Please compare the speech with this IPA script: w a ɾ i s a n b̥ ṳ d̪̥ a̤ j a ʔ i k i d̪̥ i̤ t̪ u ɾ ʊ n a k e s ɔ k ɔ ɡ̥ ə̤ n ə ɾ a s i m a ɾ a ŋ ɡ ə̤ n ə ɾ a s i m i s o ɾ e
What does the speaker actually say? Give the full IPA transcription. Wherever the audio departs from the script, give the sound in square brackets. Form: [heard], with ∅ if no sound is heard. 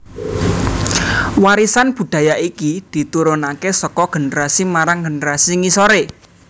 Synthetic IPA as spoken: w a ɾ i s a n b̥ ṳ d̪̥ a̤ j a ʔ i k i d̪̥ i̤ t̪ u ɾ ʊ n a k e s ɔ k ɔ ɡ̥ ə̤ n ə ɾ a s i m a ɾ a ŋ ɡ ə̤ n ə ɾ a s i [ŋ] i s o ɾ e